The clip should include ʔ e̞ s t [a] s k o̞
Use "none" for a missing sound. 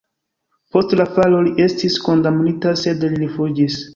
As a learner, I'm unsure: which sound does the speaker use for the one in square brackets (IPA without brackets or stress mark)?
i